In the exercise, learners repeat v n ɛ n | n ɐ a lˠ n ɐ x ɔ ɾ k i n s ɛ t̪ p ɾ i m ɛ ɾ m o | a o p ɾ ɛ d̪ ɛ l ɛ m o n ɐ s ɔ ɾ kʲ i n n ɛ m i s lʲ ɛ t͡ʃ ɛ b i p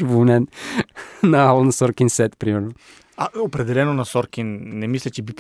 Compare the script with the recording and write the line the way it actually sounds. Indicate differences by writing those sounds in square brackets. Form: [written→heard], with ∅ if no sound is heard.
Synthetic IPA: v n ɛ n | n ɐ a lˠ n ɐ [x→s] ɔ ɾ k i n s ɛ t̪ p ɾ i m ɛ ɾ [m→n] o | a o p ɾ ɛ d̪ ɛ l ɛ [m→n] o n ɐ s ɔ ɾ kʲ i n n ɛ m i s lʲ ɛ t͡ʃ ɛ b i p